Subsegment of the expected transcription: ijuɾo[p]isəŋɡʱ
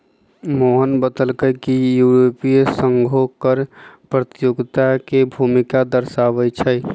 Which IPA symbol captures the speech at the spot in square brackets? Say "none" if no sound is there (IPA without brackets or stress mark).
p